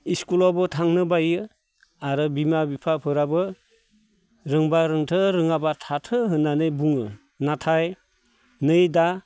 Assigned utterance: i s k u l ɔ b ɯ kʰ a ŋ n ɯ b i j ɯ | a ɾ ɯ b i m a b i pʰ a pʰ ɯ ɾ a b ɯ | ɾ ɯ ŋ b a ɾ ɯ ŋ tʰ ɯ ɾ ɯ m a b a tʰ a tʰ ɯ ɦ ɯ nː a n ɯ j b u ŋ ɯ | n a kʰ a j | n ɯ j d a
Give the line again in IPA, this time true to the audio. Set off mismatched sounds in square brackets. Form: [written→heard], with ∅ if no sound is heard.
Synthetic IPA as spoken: i s k u l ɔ b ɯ [kʰ→tʰ] a ŋ n ɯ b [i→a] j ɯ | a ɾ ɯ b i m a b i pʰ a pʰ ɯ ɾ a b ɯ | ɾ ɯ ŋ b a ɾ ɯ ŋ tʰ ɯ ɾ ɯ [m→ŋ] a b a tʰ a tʰ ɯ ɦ ɯ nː a n ɯ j b u ŋ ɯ | n a [kʰ→tʰ] a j | n ɯ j d a